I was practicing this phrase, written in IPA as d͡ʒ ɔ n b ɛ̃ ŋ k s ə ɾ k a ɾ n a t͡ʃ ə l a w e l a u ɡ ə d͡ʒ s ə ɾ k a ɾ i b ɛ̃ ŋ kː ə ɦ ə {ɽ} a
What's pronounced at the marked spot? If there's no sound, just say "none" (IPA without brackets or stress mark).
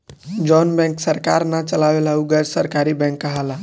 l